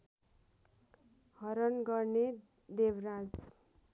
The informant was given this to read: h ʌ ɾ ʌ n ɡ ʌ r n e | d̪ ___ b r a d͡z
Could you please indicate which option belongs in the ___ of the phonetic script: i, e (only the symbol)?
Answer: e